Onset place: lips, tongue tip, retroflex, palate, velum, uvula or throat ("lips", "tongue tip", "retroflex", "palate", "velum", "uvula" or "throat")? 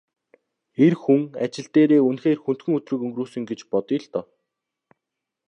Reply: tongue tip